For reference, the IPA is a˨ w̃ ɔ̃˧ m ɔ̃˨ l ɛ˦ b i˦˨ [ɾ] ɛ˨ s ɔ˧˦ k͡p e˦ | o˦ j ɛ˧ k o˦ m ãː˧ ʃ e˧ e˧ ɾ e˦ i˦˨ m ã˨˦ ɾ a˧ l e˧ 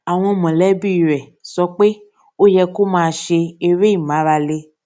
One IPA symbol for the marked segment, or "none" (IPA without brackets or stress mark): ɾ